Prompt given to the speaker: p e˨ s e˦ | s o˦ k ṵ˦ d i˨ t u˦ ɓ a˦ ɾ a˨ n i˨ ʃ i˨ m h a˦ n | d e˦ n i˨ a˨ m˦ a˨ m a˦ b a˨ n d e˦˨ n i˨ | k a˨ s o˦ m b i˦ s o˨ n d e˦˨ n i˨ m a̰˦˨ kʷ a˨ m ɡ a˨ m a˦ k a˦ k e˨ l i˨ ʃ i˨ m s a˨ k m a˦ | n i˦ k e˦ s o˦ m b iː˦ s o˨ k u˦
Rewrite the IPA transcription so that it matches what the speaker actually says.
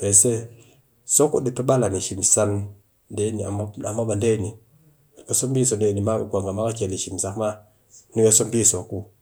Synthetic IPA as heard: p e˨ s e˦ | s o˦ k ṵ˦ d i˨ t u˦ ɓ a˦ l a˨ n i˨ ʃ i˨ m s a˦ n | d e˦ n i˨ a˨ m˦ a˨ m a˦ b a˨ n d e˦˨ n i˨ | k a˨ s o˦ m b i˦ s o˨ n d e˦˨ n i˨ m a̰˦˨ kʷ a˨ ŋ ɡ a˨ m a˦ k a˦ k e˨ l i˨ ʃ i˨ m s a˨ k m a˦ | n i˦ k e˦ s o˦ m b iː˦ s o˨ k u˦